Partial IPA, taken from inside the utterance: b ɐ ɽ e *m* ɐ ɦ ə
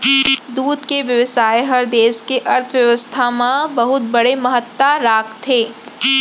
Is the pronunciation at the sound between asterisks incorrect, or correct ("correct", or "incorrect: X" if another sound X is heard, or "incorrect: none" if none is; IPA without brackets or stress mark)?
correct